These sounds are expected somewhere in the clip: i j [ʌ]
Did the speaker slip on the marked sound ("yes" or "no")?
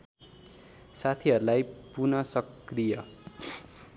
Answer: no